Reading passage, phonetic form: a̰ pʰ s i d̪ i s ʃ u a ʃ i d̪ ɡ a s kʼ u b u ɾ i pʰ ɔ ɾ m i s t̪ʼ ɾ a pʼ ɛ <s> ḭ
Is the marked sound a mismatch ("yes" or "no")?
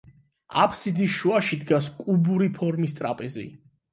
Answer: yes